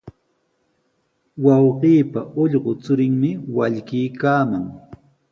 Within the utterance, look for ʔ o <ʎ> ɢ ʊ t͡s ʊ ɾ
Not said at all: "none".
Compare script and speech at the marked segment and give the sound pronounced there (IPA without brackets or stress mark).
ʎ